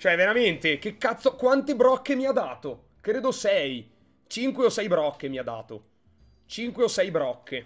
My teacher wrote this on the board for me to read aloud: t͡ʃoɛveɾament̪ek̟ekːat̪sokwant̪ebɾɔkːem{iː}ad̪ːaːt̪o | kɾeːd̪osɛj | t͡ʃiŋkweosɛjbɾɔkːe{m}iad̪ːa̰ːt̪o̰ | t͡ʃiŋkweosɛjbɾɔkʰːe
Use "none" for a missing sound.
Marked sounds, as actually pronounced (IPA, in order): i, m

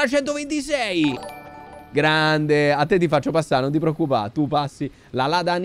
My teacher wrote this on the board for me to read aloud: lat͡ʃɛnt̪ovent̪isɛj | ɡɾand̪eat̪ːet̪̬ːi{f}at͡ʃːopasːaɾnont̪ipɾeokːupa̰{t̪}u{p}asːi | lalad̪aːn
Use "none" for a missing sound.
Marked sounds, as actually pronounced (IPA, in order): f, t̪, p

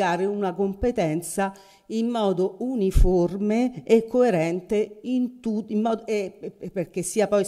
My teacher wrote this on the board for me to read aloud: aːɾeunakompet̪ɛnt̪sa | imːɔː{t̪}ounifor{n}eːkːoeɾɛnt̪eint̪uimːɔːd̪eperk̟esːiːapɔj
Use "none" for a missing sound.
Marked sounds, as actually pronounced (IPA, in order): d̪, m

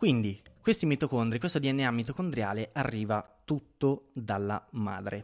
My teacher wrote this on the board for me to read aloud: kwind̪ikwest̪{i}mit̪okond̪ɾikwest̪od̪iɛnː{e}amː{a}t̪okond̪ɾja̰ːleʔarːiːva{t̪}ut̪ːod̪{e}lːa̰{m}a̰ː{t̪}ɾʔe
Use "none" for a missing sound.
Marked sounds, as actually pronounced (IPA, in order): i, e, i, t̪, a, m, d̪

